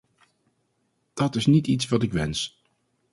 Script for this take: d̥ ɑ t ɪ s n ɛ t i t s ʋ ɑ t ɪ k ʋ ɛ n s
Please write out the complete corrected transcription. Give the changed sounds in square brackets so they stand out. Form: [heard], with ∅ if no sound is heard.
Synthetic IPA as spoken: d̥ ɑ t ɪ s n [i] t i t s ʋ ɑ t ɪ k ʋ ɛ n s